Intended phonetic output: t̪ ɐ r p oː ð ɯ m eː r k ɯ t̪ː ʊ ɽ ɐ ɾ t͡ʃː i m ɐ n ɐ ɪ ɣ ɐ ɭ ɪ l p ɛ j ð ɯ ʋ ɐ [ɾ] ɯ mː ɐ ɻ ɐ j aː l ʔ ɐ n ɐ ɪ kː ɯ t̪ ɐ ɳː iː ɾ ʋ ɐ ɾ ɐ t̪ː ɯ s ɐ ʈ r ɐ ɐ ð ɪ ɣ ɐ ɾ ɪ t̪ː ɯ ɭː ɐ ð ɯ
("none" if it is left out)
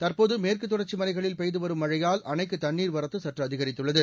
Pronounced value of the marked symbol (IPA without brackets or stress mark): ɾ